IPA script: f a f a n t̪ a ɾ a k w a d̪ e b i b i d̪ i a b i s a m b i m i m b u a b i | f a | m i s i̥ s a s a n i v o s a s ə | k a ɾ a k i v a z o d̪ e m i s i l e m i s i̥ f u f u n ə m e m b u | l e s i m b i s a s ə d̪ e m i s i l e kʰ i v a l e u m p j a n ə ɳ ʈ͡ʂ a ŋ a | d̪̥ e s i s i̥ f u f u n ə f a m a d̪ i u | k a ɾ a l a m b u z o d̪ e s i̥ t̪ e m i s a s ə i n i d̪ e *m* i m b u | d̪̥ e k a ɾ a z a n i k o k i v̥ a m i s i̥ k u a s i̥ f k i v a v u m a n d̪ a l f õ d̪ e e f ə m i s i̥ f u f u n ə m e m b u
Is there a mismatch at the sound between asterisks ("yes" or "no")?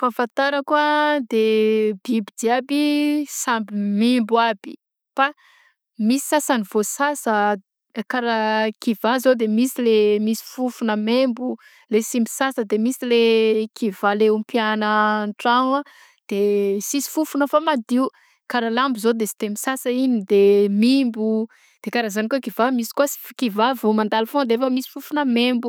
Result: no